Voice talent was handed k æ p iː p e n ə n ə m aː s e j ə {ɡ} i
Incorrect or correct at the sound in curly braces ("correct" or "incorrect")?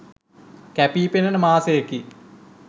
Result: incorrect